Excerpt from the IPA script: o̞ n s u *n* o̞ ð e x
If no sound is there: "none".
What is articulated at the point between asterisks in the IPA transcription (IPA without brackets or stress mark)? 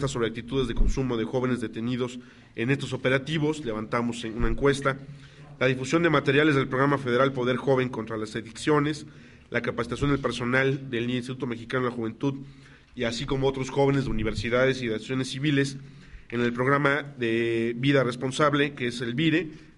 m